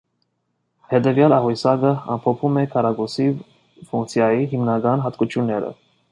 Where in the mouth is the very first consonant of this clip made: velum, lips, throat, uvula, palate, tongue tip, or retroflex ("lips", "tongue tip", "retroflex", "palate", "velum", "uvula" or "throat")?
throat